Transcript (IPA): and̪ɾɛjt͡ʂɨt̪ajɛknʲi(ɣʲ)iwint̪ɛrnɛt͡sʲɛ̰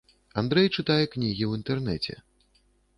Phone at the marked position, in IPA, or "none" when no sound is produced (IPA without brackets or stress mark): ɣʲ